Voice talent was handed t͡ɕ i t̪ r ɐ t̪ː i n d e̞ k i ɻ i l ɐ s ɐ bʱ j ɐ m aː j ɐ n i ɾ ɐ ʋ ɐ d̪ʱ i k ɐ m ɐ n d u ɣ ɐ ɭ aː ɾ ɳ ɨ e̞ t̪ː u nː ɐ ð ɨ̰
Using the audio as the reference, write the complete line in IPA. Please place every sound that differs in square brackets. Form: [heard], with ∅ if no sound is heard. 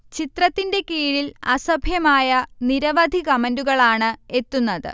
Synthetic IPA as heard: t͡ɕ i t̪ r ɐ t̪ː i n d e̞ k [iː] ɻ i l ɐ s ɐ bʱ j ɐ m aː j ɐ n i ɾ ɐ ʋ ɐ d̪ʱ i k ɐ m ɐ n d u ɣ ɐ ɭ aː [∅] ɳ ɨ e̞ t̪ː u nː ɐ ð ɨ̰